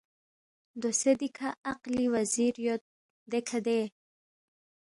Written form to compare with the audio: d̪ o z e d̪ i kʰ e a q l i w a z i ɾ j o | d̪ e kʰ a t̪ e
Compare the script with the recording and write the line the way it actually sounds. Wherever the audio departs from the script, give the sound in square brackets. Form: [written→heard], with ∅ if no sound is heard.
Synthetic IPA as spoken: d̪ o [z→s] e d̪ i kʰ [e→a] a q l i w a z i ɾ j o | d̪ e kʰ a [t̪→d̪] e

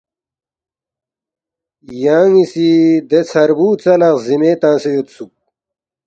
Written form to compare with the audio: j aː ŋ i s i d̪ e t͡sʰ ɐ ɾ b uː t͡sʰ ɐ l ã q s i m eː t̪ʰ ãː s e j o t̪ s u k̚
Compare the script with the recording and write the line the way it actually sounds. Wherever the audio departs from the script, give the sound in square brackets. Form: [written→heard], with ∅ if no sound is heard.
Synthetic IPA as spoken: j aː ŋ i s i d̪ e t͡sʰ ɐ ɾ b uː [t͡sʰ→t͡s] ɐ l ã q [s→z] i m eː [t̪ʰ→t̪] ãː s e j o t̪ s u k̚

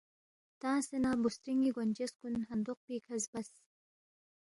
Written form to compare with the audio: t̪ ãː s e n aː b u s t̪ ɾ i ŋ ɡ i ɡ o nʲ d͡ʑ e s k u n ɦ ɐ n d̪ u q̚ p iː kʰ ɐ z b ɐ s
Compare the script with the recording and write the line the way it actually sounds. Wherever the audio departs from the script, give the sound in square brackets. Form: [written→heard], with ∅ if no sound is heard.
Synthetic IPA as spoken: t̪ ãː s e n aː b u s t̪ ɾ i ŋ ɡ i ɡ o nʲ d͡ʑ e s k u n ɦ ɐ n d̪ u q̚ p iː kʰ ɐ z b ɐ s

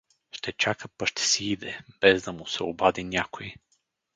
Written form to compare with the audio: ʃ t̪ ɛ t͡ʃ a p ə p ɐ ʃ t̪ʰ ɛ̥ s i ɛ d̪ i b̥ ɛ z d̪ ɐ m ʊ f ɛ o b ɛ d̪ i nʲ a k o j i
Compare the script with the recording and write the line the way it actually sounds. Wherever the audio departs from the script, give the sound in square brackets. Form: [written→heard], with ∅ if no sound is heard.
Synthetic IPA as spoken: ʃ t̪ ɛ t͡ʃ a [p→k] ə p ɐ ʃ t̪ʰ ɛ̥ s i [ɛ→i] d̪ [i→ɛ] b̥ ɛ z d̪ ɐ m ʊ [f→s] ɛ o b [ɛ→a] d̪ i nʲ a k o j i

